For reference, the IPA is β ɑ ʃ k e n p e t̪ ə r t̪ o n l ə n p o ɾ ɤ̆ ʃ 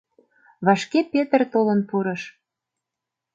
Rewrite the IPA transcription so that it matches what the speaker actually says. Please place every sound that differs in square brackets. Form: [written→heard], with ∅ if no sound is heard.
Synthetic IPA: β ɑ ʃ k e [n→∅] p e t̪ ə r t̪ o [n→∅] l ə n p [o→u] ɾ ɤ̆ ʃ

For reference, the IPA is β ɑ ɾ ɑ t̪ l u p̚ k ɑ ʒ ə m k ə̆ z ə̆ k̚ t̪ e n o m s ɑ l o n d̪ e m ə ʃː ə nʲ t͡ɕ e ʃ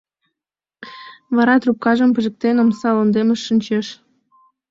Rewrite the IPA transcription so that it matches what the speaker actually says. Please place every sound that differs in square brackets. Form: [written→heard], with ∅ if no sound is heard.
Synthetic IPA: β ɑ ɾ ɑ t̪ [l→r] u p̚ k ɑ ʒ ə m [k→p] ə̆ [z→ʒ] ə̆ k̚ t̪ e n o m s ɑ l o n d̪ e m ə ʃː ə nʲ t͡ɕ e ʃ

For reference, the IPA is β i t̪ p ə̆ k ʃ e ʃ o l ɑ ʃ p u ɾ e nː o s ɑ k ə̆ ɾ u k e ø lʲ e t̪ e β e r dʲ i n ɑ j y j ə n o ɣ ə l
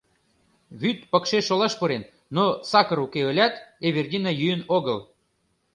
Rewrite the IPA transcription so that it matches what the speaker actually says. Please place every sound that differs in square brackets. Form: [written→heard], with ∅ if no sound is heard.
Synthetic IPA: β [i→y] t̪ p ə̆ k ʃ e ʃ o l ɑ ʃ p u ɾ e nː o s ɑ k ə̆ ɾ u k e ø lʲ [e→æ] t̪ e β e r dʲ i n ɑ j y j ə n o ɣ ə l

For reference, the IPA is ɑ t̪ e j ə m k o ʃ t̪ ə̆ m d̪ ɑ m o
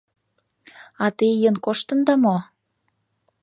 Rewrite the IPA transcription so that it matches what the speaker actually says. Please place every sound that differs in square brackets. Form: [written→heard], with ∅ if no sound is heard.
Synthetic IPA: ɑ t̪ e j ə [m→n] k o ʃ t̪ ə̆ [m→n] d̪ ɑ m o

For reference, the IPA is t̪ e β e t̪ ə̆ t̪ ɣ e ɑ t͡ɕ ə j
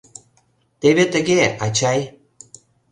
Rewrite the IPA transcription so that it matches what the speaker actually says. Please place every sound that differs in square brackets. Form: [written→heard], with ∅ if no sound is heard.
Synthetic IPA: t̪ e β e t̪ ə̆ [t̪→∅] ɣ e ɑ t͡ɕ [ə→ɑ] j

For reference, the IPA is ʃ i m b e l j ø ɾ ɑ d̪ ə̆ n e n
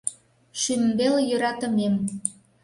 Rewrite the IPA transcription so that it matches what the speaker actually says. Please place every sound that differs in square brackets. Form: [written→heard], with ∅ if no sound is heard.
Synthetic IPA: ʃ [i→y] m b e l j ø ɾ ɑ [d̪→t̪] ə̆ [n→m] e [n→m]

